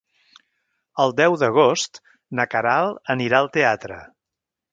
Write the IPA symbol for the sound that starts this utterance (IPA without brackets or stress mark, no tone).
ə